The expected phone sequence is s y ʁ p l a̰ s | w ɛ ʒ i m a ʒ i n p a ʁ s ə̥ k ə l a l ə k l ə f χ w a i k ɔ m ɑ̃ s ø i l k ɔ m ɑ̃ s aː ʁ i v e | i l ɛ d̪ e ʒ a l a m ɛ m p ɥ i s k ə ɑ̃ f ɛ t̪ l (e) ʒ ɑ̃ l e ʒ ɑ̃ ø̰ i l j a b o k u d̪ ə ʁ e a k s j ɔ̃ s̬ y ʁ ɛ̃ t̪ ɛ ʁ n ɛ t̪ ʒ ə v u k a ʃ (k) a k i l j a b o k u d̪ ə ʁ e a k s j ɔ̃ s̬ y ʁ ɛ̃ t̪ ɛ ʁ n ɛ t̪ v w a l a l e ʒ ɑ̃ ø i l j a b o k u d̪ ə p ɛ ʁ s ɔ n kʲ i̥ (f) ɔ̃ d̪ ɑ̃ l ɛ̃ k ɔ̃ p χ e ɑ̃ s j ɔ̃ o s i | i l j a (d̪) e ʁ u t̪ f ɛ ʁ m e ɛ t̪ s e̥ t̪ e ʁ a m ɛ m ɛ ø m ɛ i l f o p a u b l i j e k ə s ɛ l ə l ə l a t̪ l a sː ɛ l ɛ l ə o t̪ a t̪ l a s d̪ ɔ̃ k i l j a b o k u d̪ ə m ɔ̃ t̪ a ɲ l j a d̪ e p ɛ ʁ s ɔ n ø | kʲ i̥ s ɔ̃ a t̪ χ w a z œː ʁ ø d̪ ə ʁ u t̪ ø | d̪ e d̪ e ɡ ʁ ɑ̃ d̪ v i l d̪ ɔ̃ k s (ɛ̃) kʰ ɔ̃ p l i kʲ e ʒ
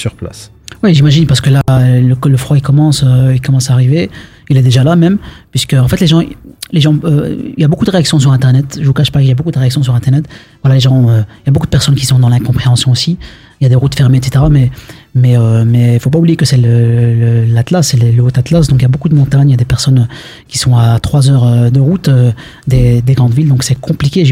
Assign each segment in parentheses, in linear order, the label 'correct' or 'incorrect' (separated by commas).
correct, incorrect, incorrect, correct, incorrect